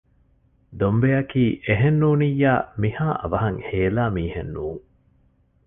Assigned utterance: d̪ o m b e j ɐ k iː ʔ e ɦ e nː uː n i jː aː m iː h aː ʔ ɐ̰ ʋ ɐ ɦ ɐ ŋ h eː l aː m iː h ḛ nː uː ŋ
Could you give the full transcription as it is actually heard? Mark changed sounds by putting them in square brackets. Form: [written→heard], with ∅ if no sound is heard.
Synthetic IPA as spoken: d̪ o m b e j ɐ k iː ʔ e ɦ e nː uː n i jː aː m [iː→i] h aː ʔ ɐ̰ ʋ ɐ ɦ ɐ ŋ h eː l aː m iː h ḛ nː uː ŋ